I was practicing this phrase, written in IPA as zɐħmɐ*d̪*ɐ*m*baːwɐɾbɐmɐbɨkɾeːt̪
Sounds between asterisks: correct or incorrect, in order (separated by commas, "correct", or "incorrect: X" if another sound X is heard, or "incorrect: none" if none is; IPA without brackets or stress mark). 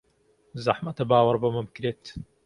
incorrect: t̪, incorrect: none